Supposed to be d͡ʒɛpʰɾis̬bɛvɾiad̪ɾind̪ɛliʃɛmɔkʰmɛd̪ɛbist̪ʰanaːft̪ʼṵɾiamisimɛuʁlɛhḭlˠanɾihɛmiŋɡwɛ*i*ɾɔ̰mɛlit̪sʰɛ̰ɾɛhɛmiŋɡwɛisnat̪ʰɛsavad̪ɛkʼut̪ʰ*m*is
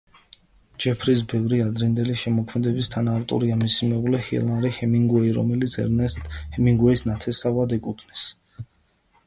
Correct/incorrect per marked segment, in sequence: correct, incorrect

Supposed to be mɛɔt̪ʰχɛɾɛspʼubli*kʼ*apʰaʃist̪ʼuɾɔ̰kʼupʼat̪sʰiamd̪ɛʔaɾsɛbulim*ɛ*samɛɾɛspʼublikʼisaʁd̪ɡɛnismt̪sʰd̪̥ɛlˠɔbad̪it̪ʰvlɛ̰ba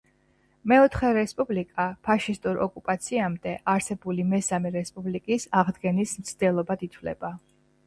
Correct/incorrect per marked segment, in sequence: correct, correct

